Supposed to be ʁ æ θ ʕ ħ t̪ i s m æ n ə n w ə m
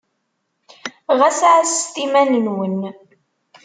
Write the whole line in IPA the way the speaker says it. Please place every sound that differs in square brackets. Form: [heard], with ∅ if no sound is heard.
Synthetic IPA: ʁ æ [s] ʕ [s] t̪ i [∅] m æ n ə n w ə [n]